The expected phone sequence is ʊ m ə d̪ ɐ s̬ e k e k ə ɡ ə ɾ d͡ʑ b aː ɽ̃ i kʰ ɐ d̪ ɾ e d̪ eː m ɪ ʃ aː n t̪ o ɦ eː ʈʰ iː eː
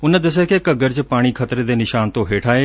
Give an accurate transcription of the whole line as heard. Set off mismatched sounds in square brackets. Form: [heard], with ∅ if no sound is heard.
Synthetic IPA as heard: ʊ [n] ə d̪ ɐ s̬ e k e k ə ɡ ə ɾ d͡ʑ [p] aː ɽ̃ i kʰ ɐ [t̪] ɾ e d̪ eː [n] ɪ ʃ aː n t̪ o ɦ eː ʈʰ [aː] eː